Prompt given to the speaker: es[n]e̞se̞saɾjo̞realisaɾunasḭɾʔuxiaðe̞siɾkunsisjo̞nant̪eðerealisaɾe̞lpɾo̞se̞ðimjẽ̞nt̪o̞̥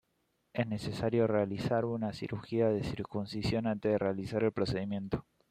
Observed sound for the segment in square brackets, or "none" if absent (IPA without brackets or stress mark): n